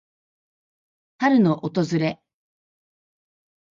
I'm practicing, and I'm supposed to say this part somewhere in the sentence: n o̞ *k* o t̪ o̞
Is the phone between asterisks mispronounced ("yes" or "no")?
yes